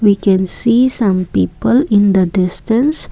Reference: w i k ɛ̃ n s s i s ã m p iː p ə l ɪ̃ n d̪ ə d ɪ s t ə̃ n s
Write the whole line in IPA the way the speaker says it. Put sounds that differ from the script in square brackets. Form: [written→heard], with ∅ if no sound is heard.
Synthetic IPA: w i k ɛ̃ n s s i s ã m p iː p ə l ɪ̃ n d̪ ə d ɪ s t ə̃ n s

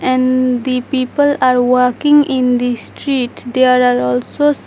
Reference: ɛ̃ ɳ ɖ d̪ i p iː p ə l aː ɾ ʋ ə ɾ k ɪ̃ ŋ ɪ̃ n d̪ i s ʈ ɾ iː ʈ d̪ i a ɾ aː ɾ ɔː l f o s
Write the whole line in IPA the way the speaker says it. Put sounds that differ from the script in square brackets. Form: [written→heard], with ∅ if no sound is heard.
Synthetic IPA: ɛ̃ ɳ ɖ d̪ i p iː p ə l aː ɾ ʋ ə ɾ k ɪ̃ ŋ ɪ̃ n d̪ i s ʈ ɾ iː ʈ d̪ [i→e] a ɾ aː ɾ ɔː l [f→s] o s

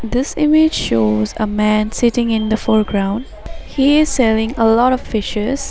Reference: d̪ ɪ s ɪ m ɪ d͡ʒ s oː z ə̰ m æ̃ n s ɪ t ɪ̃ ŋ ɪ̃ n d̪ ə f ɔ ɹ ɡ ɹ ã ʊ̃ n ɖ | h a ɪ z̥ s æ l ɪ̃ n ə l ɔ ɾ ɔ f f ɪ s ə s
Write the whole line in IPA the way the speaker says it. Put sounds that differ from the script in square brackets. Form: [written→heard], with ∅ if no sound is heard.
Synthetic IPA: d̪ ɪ s ɪ m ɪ d͡ʒ [s→ʃ] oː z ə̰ m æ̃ n s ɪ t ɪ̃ ŋ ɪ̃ n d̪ ə f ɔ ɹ ɡ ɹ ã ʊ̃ n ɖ | h [a→i] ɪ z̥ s [æ→ɛ] l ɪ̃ [n→ŋ] ə l ɔ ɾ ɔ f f ɪ [s→ʃ] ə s

